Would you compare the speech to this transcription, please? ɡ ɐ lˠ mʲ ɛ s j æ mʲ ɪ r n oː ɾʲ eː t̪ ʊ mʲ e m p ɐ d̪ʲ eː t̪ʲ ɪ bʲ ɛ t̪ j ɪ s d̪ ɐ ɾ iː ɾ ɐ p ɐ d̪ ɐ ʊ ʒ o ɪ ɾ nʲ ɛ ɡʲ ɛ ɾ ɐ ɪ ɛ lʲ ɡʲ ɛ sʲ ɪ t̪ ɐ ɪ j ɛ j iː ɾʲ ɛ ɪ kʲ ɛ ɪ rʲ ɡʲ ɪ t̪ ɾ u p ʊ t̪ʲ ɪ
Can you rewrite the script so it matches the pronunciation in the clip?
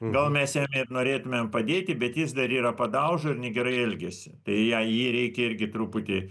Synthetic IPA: ɡ ɐ lˠ mʲ ɛ s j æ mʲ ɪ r n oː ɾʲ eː t̪ ʊ mʲ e m p ɐ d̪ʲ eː t̪ʲ ɪ bʲ ɛ t̪ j ɪ s d̪ ɐ ɾ iː ɾ ɐ p ɐ d̪ ɐ ʊ ʒ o ɪ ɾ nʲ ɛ ɡʲ ɛ ɾ ɐ ɪ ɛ lʲ ɡʲ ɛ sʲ ɪ t̪ ɐ ɪ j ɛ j iː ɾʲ ɛ ɪ kʲ ɛ ɪ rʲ ɡʲ ɪ t̪ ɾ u p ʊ t̪ʲ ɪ